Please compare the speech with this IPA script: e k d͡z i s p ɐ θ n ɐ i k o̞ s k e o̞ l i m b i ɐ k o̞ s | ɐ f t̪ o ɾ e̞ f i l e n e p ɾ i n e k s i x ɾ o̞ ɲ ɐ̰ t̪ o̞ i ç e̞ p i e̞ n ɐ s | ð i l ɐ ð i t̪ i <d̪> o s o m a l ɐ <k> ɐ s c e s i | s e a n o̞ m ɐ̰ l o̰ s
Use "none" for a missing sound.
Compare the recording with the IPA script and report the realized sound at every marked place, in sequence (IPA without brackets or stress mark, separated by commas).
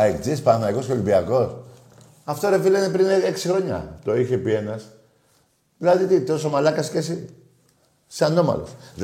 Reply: t̪, k